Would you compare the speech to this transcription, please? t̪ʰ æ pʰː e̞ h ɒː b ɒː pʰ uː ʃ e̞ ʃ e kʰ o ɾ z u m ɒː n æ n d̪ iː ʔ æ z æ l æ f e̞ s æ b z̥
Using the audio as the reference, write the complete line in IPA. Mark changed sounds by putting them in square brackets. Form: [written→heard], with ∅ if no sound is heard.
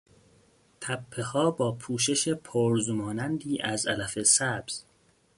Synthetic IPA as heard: t̪ʰ æ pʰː e̞ h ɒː b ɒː pʰ uː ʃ e̞ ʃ e [kʰ→pʰ] o ɾ z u m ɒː n æ n d̪ iː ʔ æ z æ l æ f e̞ s æ b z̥